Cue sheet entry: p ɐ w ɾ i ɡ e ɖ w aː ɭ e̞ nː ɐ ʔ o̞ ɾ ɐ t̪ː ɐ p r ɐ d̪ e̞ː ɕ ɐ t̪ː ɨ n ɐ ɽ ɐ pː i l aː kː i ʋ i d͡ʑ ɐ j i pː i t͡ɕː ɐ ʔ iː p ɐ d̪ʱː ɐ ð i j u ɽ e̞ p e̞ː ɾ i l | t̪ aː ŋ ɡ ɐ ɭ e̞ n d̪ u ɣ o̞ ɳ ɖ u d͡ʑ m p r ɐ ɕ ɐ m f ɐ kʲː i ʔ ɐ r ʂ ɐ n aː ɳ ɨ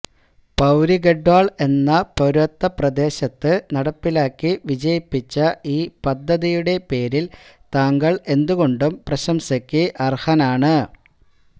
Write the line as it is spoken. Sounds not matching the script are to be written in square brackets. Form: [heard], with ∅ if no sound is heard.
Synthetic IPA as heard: p ɐ w ɾ i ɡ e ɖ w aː ɭ e̞ nː ɐ [p] o̞ ɾ ɐ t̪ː ɐ p r ɐ d̪ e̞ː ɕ ɐ t̪ː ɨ n ɐ ɽ ɐ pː i l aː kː i ʋ i d͡ʑ ɐ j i pː i t͡ɕː ɐ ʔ iː p ɐ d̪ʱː ɐ ð i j u ɽ e̞ p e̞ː ɾ i l | t̪ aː ŋ ɡ ɐ ɭ e̞ n d̪ u ɣ o̞ ɳ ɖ u [∅] m p r ɐ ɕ ɐ m [s] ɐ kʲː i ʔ ɐ r [h] ɐ n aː ɳ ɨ